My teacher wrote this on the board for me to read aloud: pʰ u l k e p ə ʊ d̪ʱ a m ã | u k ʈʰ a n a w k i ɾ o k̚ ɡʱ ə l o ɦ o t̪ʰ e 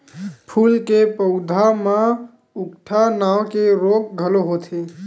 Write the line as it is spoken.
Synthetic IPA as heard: pʰ u l k e p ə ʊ d̪ʱ a m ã | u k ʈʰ a n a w k e ɾ o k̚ ɡʱ ə l o ɦ o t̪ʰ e